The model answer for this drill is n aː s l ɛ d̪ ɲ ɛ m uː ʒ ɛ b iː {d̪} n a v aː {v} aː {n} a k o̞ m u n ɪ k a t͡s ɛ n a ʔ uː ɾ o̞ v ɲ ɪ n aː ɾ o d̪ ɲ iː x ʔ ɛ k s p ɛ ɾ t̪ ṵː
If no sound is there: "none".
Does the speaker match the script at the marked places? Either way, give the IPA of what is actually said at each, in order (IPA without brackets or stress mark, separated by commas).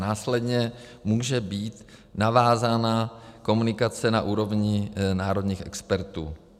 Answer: t̪, z, n